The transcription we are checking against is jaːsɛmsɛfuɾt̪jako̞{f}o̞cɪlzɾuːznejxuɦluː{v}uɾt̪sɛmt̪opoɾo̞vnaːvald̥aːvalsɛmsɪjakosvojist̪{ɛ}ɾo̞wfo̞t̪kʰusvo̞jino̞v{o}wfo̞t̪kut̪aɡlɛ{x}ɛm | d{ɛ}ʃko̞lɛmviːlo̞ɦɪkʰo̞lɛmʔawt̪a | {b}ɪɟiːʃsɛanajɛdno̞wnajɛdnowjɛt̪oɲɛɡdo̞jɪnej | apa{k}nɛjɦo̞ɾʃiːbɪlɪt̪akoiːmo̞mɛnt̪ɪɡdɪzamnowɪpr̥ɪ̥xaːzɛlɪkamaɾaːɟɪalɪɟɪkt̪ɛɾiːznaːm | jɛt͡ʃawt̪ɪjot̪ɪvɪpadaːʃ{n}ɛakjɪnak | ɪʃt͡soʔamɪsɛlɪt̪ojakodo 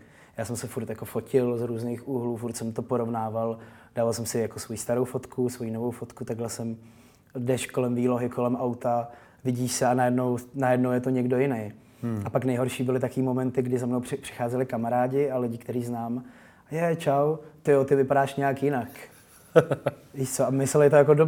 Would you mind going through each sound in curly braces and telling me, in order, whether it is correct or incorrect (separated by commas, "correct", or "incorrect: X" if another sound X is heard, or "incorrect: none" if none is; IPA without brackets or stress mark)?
correct, incorrect: f, incorrect: a, correct, incorrect: s, correct, incorrect: v, correct, incorrect: ɲ